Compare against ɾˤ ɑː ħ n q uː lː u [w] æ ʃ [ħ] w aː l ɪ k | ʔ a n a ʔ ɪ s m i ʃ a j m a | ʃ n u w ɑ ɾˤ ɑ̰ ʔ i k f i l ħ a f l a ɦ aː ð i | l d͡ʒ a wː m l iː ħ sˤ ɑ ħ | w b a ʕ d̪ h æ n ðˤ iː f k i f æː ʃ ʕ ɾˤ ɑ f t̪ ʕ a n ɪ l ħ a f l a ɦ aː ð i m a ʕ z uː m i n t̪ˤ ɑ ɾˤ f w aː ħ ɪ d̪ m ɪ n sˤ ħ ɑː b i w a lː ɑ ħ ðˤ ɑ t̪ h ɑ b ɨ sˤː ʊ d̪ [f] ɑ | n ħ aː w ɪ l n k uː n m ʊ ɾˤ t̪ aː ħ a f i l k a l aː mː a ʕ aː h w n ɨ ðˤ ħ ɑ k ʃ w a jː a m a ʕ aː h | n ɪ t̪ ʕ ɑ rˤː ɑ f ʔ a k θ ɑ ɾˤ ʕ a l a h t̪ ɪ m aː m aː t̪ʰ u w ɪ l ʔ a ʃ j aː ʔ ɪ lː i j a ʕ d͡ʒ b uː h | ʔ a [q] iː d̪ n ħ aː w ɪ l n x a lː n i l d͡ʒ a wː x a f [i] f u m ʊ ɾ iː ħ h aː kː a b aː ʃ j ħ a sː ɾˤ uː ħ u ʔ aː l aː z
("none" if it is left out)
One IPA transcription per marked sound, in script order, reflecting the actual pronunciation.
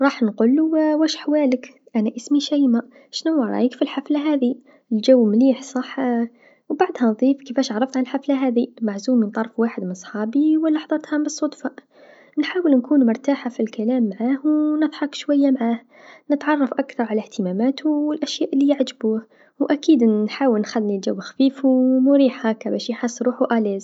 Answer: w, ħ, f, k, iː

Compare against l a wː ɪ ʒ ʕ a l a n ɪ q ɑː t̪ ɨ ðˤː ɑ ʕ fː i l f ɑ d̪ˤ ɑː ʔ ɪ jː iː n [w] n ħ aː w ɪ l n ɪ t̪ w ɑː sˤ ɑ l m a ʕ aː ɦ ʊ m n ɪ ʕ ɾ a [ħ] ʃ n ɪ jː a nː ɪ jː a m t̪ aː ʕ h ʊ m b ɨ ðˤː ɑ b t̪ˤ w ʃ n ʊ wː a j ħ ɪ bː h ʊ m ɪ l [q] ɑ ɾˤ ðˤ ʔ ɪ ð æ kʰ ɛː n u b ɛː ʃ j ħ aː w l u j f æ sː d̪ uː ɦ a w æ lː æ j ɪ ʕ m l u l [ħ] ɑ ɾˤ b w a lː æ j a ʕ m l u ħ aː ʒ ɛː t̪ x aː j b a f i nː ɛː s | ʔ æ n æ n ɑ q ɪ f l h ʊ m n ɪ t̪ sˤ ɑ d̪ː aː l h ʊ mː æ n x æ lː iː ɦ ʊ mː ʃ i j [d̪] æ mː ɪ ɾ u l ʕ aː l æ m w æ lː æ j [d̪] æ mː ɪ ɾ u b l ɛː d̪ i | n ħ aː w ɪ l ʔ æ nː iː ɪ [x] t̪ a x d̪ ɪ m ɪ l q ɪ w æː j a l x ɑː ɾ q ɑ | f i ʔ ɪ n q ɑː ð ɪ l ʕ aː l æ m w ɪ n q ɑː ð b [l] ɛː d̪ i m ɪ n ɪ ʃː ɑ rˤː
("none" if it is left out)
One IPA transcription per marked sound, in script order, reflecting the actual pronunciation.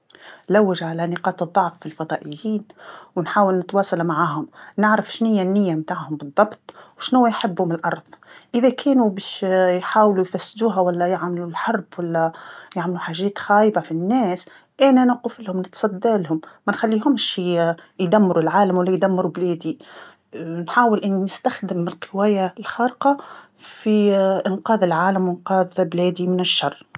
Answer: w, f, ʔ, ħ, d̪, d̪, s, l

